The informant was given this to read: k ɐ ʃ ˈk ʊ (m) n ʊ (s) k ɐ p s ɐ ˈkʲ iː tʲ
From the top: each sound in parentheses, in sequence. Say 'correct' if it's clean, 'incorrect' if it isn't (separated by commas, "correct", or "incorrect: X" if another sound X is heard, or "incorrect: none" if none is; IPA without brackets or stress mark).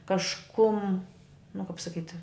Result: correct, incorrect: none